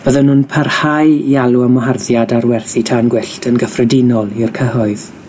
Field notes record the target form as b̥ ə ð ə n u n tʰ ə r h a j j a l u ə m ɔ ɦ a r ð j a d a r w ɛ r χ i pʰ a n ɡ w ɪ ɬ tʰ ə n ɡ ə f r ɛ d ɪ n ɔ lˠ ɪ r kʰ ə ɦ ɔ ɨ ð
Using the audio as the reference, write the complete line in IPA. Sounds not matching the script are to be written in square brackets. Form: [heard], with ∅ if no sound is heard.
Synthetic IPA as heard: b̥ ə ð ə n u n [pʰ] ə r h a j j a l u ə m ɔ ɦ a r ð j a d a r w ɛ r [θ] i [tʰ] a n ɡ w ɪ ɬ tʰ ə n ɡ ə f r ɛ d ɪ n ɔ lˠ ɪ r kʰ ə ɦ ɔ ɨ ð